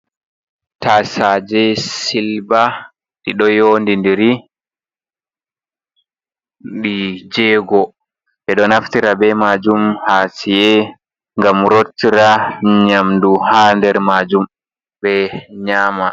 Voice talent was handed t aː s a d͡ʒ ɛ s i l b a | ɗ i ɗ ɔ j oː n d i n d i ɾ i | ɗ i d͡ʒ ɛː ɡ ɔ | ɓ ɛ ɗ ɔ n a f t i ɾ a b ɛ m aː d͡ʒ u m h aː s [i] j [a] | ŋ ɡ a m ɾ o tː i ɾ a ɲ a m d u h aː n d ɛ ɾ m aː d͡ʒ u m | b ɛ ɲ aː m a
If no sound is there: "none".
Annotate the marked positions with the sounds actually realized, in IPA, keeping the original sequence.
i, ɛ

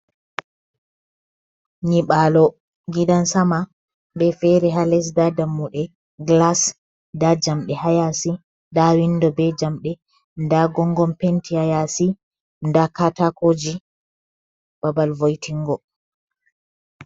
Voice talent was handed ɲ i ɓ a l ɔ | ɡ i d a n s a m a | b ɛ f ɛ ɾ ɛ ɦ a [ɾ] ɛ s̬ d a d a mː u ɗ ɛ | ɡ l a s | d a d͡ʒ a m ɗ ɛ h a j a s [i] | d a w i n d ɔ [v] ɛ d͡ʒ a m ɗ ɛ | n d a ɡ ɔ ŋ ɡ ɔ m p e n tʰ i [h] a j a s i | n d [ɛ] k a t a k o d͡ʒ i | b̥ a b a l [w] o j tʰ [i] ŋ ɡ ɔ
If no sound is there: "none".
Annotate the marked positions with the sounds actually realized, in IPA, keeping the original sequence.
l, i, b, h, a, v, i

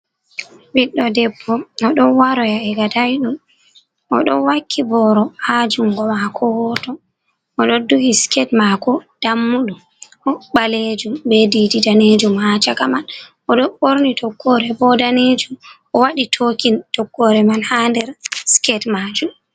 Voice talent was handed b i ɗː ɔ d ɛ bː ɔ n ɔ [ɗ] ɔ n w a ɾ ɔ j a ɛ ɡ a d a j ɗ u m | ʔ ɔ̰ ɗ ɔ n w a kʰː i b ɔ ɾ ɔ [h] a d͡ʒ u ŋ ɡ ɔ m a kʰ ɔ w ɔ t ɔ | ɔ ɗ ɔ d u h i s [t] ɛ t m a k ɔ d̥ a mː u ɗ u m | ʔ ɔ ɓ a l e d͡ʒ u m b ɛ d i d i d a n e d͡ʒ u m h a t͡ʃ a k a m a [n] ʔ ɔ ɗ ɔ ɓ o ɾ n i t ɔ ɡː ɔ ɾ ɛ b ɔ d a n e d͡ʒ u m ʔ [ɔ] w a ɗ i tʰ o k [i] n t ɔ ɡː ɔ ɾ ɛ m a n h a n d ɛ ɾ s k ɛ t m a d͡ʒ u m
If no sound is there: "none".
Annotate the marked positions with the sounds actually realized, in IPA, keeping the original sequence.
ɗ, h, k, n, ɔ, i

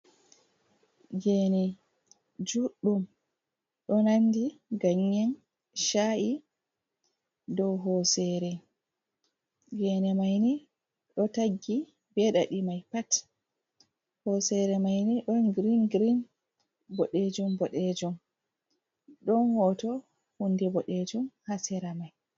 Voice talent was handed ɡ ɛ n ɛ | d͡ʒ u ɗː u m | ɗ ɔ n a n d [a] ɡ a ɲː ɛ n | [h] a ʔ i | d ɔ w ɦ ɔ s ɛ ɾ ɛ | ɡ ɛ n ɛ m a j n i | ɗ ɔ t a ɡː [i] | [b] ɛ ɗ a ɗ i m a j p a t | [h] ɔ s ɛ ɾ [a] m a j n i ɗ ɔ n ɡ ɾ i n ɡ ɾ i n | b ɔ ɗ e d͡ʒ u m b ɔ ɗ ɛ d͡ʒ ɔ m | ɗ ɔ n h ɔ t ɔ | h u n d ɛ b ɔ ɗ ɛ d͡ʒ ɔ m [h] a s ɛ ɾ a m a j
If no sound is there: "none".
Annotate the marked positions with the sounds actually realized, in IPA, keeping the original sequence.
i, ʃ, i, b, h, ɛ, h

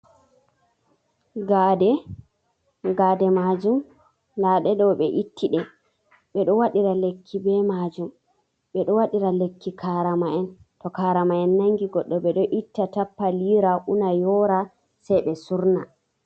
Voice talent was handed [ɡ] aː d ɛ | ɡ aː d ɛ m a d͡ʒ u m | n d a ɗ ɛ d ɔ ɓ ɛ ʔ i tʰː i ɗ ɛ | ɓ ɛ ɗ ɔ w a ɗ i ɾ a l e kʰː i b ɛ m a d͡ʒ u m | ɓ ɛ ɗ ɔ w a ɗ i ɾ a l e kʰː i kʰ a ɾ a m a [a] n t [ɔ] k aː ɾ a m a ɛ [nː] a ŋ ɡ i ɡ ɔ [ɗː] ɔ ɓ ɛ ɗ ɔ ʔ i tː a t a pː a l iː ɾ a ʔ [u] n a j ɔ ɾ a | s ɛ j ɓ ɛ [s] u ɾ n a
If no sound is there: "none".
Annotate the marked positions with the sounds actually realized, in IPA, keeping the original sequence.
ɡ, ɛ, ɔ, nː, ɗː, u, s

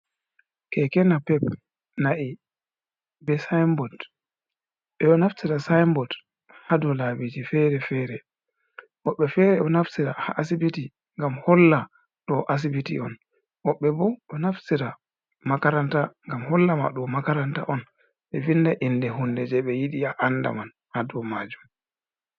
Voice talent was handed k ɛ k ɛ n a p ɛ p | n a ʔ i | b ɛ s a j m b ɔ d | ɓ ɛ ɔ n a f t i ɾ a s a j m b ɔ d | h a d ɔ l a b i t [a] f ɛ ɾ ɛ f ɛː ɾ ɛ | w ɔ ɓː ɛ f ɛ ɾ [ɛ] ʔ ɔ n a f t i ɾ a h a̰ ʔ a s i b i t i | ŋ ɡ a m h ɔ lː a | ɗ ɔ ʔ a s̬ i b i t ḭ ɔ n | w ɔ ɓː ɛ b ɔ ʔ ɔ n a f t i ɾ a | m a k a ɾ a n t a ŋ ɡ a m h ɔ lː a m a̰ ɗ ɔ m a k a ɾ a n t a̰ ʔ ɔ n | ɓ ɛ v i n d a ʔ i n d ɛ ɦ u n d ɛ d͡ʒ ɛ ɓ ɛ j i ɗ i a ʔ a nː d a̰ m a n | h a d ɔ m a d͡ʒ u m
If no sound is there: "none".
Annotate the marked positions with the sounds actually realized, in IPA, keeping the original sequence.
i, ɛ

